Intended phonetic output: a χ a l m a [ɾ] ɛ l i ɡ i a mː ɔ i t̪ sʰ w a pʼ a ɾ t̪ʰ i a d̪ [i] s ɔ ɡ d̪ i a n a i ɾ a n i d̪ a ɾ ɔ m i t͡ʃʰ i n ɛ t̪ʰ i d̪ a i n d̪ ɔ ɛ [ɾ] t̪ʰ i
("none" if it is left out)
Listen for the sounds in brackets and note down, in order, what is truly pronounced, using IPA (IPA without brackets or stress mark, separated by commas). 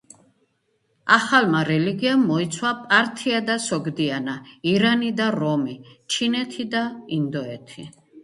ɾ, a, none